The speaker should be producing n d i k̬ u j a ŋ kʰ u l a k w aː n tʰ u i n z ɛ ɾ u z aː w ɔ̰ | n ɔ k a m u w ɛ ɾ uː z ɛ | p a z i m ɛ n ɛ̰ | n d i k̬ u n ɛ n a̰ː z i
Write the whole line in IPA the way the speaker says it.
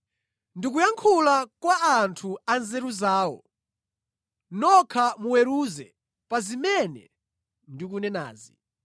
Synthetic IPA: n d i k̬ u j a ŋ kʰ u l a k w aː n tʰ u a n z ɛ ɾ u z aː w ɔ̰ | n ɔ kʰ a m u w ɛ ɾ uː z ɛ | p a z i m ɛ n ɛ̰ | n d i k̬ u n ɛ n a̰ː z i